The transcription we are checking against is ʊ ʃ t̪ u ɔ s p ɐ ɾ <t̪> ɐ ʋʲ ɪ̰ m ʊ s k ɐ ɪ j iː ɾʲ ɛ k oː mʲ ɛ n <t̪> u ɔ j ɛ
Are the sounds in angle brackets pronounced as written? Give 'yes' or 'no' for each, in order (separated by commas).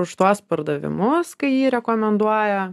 no, no